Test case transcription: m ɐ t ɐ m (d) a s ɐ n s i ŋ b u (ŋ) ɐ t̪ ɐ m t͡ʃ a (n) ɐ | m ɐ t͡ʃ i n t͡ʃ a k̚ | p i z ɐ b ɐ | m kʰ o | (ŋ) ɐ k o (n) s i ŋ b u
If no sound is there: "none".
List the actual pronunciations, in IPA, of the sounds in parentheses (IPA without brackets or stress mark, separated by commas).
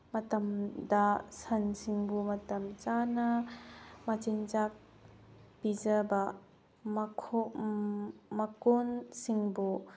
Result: d, m, n, m, n